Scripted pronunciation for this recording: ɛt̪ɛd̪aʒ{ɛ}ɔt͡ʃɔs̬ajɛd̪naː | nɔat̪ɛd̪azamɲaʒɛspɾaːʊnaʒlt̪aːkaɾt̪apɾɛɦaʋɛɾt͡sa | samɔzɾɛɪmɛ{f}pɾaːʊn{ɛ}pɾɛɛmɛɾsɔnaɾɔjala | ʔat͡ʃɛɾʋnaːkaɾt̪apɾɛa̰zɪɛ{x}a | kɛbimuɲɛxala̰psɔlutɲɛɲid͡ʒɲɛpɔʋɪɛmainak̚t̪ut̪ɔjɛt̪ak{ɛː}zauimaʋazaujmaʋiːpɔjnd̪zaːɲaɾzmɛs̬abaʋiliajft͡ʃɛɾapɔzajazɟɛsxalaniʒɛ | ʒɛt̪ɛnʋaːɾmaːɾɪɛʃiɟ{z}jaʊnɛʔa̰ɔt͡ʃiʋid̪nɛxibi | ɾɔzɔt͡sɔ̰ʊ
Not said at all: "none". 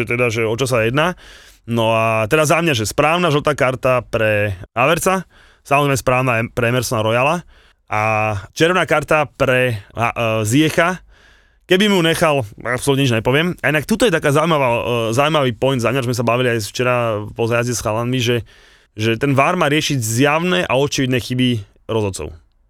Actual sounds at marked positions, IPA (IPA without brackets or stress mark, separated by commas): ɛ, s, a, x, aː, z